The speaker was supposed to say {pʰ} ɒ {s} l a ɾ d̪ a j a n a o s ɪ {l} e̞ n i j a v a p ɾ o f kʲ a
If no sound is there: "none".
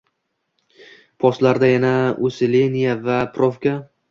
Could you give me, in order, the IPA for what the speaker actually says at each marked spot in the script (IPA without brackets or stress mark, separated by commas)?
pʰ, s, l